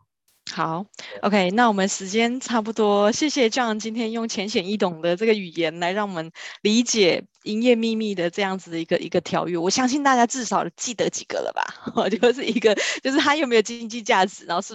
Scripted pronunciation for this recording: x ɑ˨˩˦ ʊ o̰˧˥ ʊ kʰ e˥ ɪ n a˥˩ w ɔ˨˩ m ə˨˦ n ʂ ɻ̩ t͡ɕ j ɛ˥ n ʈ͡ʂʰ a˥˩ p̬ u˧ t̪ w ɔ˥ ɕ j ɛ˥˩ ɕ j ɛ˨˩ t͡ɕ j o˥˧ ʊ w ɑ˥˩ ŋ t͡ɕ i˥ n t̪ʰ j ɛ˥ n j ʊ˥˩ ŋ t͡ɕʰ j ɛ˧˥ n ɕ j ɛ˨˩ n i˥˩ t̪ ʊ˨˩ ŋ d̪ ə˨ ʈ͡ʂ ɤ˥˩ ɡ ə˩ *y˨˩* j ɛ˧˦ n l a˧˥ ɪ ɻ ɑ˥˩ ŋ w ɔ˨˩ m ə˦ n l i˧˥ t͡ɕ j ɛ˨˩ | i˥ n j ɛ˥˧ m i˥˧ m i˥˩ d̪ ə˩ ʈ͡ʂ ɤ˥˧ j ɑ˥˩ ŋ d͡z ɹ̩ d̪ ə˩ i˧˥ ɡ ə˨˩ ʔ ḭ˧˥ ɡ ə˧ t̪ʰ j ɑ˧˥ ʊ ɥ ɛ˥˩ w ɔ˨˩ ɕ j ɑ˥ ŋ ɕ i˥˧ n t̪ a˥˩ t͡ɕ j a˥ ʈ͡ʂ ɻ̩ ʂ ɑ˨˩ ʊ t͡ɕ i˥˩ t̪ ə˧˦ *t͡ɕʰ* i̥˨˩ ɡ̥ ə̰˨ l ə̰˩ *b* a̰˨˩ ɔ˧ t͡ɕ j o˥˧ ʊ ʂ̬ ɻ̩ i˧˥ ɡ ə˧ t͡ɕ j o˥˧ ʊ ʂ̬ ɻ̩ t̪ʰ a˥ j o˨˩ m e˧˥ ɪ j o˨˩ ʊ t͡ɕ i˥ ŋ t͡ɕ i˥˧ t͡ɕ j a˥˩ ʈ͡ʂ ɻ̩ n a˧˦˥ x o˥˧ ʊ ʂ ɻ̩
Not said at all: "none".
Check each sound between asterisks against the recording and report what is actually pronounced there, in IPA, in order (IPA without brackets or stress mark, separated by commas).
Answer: y˨˩, t͡ɕ, b